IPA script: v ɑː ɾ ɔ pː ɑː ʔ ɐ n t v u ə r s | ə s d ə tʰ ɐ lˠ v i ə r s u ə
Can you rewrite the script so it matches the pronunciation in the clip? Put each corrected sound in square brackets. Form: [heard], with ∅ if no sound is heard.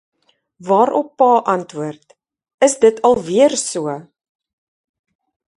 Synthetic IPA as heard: v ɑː ɾ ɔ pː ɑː ʔ ɐ n t v u ə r [t] | ə s d ə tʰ ɐ lˠ v i ə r s u ə